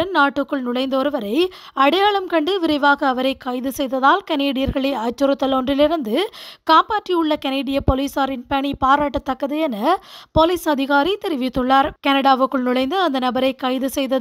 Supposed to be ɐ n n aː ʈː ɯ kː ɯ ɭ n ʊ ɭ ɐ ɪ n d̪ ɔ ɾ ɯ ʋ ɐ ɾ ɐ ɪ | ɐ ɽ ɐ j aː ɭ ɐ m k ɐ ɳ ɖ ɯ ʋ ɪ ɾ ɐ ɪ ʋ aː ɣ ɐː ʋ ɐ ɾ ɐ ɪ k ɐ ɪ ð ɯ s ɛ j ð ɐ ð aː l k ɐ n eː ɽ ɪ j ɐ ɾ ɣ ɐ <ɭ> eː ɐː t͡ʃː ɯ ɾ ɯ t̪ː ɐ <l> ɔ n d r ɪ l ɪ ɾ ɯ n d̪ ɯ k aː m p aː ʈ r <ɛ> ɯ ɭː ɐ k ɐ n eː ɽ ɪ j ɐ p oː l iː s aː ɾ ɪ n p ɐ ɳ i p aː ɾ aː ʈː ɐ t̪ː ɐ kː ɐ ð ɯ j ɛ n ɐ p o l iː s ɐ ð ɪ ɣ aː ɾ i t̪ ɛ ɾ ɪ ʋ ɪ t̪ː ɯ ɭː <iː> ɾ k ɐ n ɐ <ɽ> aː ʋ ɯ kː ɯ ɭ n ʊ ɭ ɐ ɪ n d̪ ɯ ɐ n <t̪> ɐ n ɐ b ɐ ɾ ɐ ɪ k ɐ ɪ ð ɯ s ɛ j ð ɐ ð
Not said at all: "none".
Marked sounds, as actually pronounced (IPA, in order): ɭ, l, i, aː, ɽ, d̪

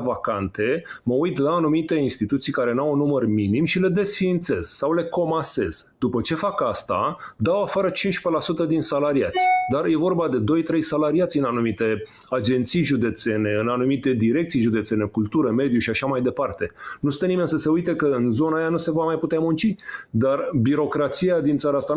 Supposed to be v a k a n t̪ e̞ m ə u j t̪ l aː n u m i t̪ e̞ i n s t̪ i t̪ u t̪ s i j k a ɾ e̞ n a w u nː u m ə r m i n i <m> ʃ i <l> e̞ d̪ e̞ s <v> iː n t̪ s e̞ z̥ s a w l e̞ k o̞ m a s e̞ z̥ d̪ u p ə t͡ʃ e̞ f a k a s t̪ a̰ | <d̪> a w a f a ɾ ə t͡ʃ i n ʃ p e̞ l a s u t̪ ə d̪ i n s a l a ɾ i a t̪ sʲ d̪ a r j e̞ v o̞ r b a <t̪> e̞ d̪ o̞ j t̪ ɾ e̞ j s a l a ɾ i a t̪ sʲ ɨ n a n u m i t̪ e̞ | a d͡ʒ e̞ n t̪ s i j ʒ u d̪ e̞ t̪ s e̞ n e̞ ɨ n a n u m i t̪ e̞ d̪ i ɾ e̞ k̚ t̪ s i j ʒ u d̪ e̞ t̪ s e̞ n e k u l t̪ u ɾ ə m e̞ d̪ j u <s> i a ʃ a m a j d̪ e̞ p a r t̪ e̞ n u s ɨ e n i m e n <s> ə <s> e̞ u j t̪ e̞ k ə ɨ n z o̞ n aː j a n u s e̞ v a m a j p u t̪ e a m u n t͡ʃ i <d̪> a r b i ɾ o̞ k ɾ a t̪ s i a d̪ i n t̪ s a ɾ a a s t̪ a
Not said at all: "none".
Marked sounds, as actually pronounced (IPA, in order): m, l, f, d̪, d̪, ʃ, s, s, d̪

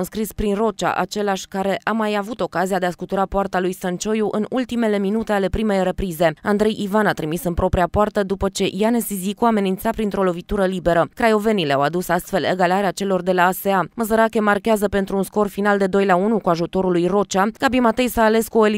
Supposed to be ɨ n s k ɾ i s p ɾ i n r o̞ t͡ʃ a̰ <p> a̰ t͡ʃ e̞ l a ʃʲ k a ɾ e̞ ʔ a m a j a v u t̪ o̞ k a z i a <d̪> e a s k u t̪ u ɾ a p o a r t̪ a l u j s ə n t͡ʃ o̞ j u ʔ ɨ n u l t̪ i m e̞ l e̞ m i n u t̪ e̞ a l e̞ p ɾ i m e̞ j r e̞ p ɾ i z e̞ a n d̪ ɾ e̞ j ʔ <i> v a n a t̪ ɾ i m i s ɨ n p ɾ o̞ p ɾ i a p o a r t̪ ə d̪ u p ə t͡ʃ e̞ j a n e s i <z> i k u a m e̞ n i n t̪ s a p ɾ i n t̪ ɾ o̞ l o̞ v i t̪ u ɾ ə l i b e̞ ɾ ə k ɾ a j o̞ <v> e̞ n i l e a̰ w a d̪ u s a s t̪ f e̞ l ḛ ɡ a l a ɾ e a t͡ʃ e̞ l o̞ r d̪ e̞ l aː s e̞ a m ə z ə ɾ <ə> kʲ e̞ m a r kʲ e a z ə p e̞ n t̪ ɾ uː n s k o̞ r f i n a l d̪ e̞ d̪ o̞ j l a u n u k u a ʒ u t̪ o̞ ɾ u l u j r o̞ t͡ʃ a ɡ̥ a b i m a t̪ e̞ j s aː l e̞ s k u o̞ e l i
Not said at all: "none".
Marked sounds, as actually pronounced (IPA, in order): ʔ, d̪, i, z, v, a

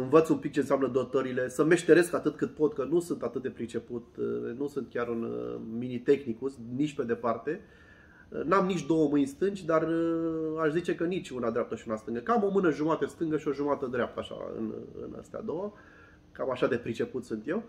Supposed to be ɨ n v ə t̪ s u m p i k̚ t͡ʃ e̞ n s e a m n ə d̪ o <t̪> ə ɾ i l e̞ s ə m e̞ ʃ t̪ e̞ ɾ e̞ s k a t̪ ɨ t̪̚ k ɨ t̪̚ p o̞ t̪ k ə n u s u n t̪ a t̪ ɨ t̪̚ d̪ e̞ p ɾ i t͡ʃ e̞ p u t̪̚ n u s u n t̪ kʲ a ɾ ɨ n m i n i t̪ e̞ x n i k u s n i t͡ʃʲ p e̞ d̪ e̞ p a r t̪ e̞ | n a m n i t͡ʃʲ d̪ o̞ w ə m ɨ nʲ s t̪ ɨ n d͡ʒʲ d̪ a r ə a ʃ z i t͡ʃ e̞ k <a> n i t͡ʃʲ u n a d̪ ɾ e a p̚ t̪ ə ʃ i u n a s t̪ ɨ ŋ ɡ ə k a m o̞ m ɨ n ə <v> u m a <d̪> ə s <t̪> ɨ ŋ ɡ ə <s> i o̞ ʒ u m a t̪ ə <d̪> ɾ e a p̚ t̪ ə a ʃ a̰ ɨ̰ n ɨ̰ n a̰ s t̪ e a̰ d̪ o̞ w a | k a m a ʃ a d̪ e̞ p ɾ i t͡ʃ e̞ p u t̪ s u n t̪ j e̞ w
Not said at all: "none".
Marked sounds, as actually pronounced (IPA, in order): t̪, ə, ʒ, t̪, t̪, ʃ, d̪

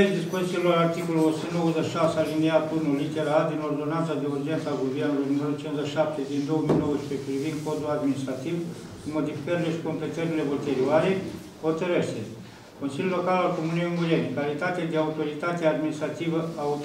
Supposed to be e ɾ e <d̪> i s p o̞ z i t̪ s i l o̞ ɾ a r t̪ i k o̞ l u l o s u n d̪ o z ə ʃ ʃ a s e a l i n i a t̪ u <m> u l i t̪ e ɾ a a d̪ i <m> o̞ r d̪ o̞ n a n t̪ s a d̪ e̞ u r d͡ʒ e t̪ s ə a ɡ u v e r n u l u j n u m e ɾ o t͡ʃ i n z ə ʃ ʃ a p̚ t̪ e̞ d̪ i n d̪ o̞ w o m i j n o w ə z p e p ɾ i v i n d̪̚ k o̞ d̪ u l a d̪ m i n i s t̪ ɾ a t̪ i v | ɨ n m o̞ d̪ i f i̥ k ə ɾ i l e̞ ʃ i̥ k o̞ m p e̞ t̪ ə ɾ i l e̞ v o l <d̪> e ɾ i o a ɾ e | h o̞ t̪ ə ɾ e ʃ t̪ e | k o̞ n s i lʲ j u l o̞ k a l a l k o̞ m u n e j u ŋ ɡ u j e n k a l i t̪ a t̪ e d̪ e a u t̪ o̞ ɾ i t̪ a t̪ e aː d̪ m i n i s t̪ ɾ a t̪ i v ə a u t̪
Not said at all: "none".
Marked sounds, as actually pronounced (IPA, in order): d̪, n, n, t̪

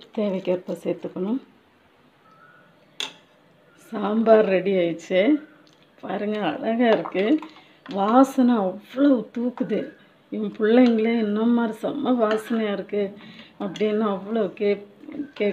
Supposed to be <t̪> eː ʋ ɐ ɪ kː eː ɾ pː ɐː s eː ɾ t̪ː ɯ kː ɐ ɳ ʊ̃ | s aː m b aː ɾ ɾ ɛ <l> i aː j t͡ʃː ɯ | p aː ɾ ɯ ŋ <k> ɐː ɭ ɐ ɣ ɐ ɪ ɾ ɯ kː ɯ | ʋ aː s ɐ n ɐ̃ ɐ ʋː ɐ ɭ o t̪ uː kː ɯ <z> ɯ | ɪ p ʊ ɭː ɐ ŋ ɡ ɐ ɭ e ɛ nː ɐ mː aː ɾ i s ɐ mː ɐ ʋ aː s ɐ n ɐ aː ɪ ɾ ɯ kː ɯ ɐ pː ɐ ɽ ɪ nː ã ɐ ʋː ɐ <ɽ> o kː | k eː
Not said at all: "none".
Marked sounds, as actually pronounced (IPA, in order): t̪, ɽ, ɡ, ð, ɭ

